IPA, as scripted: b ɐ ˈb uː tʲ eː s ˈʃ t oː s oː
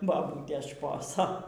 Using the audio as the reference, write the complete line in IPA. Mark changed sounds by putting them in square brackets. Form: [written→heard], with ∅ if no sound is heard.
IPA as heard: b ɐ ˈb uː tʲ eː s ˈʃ [t→p] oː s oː